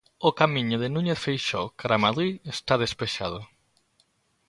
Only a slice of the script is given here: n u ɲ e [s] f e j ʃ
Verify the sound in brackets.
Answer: incorrect: θ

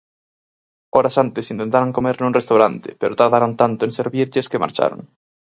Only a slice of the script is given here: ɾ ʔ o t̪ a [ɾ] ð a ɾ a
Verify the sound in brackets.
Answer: correct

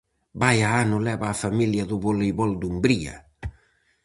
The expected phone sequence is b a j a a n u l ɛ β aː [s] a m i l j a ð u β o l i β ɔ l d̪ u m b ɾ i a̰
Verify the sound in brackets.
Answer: incorrect: f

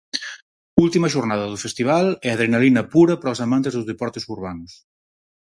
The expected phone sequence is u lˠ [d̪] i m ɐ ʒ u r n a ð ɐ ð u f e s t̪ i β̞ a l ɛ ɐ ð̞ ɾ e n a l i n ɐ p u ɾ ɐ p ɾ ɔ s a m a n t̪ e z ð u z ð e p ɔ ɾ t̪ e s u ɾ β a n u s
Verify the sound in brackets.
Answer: incorrect: t̪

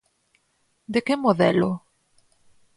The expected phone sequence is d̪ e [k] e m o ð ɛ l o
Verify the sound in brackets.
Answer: correct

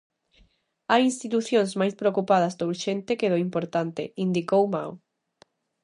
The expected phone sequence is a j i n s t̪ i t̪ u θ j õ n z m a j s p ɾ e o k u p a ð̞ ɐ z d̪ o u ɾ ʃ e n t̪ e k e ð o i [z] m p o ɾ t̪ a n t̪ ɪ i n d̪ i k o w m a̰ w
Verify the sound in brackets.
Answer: incorrect: none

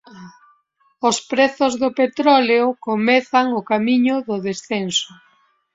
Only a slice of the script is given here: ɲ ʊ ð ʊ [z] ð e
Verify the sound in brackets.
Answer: incorrect: none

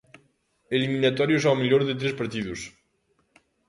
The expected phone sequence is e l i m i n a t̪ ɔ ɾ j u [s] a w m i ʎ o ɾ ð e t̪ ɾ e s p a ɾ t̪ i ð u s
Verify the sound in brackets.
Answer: correct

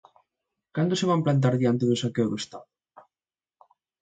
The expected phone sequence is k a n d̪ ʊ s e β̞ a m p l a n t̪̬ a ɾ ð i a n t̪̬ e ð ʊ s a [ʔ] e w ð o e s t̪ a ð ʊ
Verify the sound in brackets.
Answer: incorrect: k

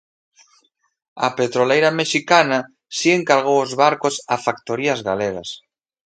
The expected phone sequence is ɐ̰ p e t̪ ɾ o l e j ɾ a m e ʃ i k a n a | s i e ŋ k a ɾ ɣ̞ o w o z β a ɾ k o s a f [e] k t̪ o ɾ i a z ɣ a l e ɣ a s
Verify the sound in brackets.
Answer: incorrect: a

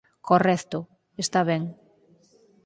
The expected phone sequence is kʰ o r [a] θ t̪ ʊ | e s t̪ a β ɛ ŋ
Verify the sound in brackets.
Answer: incorrect: ɛ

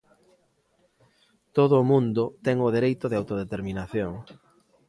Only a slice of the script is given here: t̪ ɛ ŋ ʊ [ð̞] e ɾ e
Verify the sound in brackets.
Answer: correct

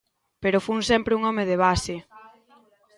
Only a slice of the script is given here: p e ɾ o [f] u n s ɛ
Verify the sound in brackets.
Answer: correct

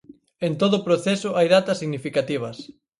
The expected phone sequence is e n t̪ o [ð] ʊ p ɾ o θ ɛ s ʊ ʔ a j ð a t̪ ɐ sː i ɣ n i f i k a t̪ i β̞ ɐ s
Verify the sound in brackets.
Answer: correct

